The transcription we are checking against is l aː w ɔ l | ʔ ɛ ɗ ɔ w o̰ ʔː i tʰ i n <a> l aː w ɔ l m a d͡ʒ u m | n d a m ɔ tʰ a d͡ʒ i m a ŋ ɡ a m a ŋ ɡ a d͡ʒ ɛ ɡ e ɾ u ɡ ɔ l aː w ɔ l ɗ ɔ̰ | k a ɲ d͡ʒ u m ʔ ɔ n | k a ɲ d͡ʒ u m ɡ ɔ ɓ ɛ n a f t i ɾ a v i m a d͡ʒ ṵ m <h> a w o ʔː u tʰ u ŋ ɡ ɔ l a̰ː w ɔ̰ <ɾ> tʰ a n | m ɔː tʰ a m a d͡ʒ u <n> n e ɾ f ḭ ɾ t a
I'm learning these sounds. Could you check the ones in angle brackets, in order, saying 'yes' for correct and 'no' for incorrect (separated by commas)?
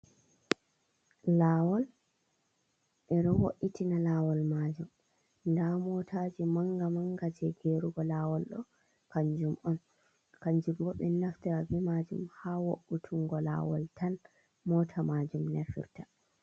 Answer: yes, yes, no, no